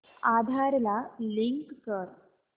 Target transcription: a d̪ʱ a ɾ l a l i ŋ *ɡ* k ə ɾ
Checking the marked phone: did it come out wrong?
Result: yes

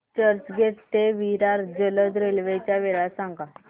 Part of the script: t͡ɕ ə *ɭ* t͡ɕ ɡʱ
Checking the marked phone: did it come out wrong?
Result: yes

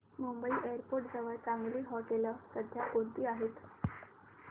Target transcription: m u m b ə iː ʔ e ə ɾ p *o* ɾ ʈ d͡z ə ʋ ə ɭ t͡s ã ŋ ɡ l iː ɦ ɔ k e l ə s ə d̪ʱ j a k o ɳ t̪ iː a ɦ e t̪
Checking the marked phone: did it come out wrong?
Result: no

